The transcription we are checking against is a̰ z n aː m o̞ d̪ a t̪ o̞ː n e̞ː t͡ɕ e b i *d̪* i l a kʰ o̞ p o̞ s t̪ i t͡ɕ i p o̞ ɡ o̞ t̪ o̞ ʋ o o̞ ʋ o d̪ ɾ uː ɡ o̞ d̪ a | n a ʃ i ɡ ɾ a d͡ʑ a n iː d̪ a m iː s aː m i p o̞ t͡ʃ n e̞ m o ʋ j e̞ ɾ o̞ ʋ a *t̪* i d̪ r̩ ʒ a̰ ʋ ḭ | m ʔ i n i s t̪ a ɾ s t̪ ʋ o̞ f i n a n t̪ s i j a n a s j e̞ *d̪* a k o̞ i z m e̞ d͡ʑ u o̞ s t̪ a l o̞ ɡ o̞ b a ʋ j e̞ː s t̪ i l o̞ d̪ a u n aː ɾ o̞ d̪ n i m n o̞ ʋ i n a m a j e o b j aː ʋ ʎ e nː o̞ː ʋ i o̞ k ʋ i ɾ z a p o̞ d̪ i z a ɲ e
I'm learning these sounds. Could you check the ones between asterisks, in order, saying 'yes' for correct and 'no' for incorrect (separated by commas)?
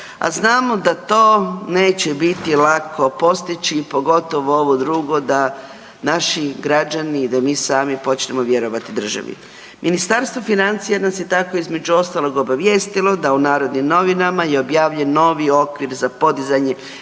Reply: no, yes, no